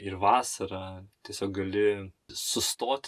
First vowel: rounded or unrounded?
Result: unrounded